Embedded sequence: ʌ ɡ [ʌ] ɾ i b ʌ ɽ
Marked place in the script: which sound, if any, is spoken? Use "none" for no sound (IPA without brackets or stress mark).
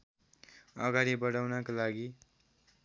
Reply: a